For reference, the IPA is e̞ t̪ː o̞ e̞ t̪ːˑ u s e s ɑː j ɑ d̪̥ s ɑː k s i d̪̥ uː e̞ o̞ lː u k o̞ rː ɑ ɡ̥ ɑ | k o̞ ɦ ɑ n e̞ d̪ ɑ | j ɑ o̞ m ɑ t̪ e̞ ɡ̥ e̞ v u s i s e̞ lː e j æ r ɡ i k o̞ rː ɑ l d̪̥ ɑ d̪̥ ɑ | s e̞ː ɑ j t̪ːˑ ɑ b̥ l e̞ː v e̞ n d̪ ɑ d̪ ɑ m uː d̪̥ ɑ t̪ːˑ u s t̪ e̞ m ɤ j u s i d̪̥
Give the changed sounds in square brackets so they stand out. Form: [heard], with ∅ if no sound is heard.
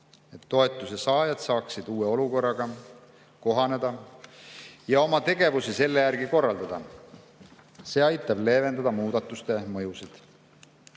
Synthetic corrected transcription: e̞ t̪ː o̞ e̞ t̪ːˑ u s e s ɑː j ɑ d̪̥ s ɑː k s i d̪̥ uː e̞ o̞ [l] u k o̞ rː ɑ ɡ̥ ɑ | k o̞ ɦ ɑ n e̞ d̪ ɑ | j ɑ o̞ m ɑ t̪ e̞ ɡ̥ e̞ v u s i s e̞ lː e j æ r ɡ i k o̞ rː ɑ l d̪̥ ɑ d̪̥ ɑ | s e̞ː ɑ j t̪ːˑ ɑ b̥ l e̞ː v e̞ n d̪ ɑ d̪ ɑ m uː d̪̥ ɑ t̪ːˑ u s t̪ e̞ m ɤ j u s i d̪̥